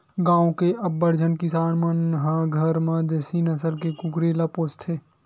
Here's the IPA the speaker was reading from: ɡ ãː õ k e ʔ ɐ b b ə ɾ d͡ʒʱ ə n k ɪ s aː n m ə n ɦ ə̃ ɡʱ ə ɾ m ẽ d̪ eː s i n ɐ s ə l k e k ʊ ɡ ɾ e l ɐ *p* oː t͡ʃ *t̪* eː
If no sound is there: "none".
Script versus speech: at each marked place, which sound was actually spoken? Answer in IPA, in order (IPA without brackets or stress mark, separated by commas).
p, t̪ʰ